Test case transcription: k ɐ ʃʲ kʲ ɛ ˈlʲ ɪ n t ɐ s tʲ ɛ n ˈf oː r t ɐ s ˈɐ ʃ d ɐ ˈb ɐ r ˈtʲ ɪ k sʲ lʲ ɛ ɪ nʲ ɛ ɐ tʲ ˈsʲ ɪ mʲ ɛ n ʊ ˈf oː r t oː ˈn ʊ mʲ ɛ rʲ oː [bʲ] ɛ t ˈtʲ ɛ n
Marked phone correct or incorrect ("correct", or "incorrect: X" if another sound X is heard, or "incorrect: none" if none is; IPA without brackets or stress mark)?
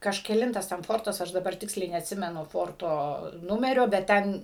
correct